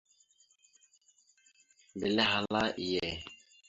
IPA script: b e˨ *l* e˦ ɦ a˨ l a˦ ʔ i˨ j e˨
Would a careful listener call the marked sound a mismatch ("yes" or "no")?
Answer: no